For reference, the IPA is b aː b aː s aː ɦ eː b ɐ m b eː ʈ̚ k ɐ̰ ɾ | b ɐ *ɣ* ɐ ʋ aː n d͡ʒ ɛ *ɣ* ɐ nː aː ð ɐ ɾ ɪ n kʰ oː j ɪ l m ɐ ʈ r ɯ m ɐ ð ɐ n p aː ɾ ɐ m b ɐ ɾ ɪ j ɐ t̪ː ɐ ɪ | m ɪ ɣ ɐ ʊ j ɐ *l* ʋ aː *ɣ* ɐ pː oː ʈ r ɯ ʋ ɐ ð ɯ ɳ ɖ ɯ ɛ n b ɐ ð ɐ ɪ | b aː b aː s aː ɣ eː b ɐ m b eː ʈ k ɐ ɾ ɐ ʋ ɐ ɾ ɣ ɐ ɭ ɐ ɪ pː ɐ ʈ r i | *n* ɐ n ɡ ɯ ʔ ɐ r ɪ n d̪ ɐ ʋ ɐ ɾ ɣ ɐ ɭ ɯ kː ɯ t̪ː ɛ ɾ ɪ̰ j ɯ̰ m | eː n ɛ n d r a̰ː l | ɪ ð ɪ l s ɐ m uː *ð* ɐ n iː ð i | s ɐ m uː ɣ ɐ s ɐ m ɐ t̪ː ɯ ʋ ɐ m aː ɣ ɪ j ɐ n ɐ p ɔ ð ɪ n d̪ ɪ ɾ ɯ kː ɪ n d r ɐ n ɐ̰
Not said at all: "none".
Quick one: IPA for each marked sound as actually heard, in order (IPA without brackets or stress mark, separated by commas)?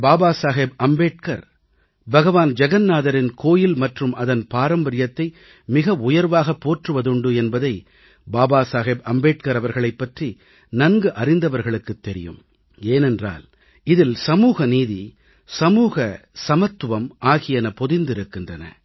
ɣ, ɣ, ɾ, ɣ, n, ɣ